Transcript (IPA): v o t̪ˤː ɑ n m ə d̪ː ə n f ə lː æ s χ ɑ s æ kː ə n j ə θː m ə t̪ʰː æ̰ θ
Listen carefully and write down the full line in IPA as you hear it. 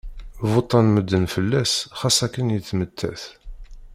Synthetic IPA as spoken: v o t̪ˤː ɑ n m ə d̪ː ə n f ə lː æ s χ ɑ s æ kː ə n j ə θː m ə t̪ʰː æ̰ θ